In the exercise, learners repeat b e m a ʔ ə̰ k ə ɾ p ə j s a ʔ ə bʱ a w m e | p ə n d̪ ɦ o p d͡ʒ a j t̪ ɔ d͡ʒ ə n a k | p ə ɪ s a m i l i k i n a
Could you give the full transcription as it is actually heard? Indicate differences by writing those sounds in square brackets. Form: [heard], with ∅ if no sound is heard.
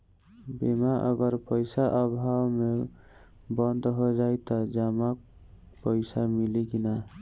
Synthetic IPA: b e m a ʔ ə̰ [ɡ] ə ɾ p ə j s a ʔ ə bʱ a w m e | [b] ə n d̪ ɦ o [∅] d͡ʒ a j t̪ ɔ d͡ʒ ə [m] a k | p ə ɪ s a m i l i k i n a